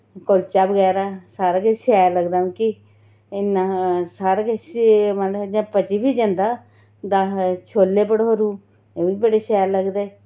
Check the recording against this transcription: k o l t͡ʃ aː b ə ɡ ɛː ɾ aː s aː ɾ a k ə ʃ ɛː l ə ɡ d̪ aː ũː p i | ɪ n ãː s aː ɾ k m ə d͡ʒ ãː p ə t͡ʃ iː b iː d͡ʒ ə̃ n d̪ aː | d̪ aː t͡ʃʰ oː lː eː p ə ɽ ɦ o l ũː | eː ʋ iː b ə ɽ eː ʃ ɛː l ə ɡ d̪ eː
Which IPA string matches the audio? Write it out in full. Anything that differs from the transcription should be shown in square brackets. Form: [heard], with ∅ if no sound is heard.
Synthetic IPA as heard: k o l t͡ʃ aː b ə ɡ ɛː ɾ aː s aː ɾ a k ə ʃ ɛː l ə ɡ d̪ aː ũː [k] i | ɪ n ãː s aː ɾ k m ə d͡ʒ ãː p ə t͡ʃ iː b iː d͡ʒ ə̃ n d̪ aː | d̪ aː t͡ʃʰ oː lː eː p ə ɽ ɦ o [ɾ] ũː | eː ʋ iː b ə ɽ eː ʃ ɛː l ə ɡ d̪ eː

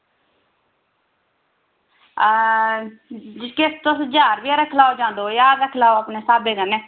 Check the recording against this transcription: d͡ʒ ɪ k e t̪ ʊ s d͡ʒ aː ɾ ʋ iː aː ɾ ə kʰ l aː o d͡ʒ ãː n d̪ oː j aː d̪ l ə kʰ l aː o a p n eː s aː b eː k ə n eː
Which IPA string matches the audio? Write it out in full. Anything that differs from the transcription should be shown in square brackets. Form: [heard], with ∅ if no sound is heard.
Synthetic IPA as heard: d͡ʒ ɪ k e t̪ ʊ s d͡ʒ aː ɾ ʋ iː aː ɾ ə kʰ l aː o d͡ʒ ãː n d̪ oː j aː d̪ [ɾ] ə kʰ l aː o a p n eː s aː b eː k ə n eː

